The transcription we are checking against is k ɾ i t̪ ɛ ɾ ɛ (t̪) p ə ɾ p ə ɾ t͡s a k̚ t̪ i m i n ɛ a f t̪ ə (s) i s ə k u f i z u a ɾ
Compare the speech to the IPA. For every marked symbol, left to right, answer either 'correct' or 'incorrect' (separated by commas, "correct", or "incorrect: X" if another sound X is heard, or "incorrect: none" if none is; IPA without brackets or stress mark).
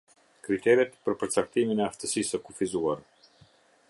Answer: correct, correct